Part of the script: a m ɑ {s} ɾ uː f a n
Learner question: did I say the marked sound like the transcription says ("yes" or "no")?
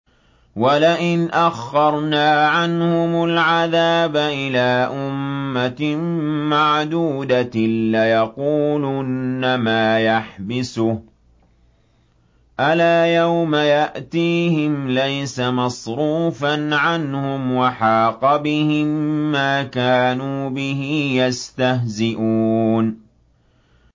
yes